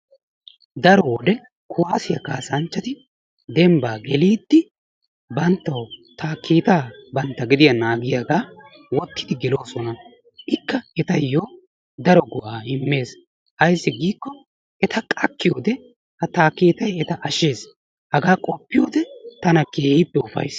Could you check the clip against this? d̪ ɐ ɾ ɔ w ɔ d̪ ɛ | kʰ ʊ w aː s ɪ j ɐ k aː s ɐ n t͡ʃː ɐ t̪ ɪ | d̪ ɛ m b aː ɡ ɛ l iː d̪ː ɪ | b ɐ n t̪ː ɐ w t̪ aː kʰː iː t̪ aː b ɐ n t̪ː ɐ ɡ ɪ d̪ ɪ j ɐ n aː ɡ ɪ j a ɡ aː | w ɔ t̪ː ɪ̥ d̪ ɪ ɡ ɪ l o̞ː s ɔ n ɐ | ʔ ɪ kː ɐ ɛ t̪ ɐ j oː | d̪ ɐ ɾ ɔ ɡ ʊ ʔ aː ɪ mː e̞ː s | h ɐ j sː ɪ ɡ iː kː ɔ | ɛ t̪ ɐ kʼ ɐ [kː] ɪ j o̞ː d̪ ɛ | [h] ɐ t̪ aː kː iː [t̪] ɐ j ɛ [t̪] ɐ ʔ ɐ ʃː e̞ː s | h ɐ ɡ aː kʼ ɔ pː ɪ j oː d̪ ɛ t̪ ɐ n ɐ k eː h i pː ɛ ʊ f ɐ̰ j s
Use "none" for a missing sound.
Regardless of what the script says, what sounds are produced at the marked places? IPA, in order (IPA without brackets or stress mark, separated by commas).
kː, h, t̪, t̪